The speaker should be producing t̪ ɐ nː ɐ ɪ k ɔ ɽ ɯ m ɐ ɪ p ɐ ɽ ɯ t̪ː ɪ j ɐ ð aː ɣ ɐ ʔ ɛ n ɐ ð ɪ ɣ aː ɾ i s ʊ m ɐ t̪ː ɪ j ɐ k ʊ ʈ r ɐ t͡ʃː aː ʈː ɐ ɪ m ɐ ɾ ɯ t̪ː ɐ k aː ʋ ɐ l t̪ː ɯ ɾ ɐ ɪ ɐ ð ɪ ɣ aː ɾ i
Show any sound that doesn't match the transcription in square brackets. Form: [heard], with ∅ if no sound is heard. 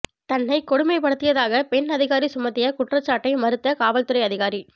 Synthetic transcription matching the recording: t̪ ɐ nː ɐ ɪ k ɔ ɽ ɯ m ɐ ɪ p ɐ ɽ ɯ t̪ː ɪ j ɐ ð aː ɣ ɐ [p] ɛ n ɐ ð ɪ ɣ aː ɾ i s ʊ m ɐ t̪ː ɪ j ɐ k ʊ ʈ r ɐ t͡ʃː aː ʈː ɐ ɪ m ɐ ɾ ɯ t̪ː ɐ k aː ʋ ɐ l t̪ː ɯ ɾ ɐ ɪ ɐ ð ɪ ɣ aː ɾ i